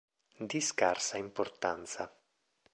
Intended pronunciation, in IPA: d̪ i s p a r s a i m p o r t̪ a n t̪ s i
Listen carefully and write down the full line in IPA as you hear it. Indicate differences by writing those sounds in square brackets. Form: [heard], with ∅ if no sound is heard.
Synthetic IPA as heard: d̪ i s [k] a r s a i m p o r t̪ a n t̪ s [a]